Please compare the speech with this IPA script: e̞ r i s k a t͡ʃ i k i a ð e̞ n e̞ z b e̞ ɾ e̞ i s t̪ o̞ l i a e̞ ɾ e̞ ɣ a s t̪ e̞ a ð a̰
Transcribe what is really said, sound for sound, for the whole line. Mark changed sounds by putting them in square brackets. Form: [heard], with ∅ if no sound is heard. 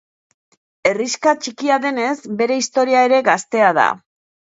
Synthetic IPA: e̞ r i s k a t͡ʃ i k i a ð e̞ n e̞ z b e̞ ɾ e̞ i s t̪ o̞ [ɾ] i a e̞ ɾ e̞ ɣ a s t̪ e̞ a ð a̰